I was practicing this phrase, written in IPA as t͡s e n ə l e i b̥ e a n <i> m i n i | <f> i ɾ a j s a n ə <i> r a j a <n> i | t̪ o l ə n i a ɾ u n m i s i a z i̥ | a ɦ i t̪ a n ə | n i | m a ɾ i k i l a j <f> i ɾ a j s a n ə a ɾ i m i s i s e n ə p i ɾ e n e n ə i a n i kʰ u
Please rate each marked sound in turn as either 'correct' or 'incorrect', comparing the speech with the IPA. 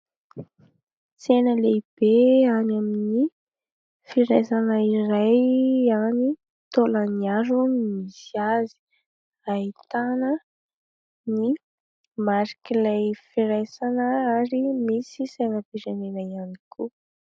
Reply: incorrect: a, correct, correct, correct, correct

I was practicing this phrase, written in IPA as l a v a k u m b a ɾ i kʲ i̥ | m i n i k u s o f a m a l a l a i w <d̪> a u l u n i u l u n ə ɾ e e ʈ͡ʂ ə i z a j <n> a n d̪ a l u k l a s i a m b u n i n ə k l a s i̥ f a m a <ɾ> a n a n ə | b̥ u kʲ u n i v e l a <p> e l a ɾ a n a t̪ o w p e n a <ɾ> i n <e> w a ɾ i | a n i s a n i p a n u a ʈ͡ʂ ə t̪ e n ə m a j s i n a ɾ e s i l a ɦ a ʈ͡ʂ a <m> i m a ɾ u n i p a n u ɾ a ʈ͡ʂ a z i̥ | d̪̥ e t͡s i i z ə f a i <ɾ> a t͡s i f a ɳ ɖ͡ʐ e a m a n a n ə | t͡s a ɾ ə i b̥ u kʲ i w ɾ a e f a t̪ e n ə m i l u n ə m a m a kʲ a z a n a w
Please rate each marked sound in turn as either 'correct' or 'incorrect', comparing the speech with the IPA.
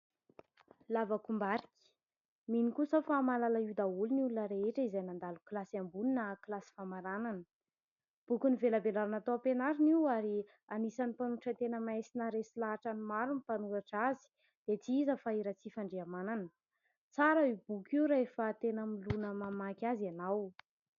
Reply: correct, correct, correct, incorrect: b, correct, incorrect: i, incorrect: n, correct

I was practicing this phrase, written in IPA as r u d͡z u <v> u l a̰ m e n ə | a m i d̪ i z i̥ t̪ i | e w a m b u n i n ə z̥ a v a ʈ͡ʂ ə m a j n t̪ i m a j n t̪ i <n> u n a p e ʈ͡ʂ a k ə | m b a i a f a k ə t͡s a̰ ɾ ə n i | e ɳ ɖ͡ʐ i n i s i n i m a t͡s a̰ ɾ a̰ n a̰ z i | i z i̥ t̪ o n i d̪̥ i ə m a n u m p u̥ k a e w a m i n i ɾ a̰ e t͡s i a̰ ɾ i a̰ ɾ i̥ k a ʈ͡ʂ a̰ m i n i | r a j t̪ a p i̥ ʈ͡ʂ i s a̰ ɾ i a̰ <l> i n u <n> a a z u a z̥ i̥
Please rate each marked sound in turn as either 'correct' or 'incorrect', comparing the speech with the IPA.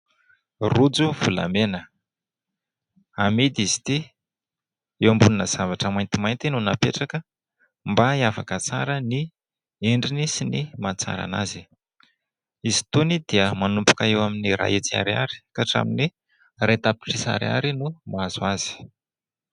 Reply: correct, correct, incorrect: ɾ, incorrect: m

